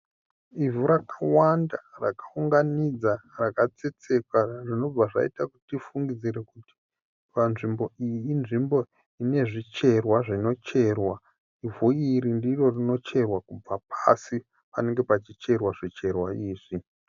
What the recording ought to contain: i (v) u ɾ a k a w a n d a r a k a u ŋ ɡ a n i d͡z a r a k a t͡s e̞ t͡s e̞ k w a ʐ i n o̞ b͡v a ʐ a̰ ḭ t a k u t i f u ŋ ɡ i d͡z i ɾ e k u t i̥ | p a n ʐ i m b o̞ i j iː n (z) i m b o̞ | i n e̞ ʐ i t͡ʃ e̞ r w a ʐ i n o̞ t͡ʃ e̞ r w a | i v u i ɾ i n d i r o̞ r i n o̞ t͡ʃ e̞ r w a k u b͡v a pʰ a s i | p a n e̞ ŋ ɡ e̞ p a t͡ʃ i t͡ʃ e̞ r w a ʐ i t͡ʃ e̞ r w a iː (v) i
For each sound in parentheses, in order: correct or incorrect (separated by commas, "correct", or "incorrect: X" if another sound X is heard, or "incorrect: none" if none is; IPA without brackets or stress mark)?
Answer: correct, incorrect: ʐ, incorrect: ʐ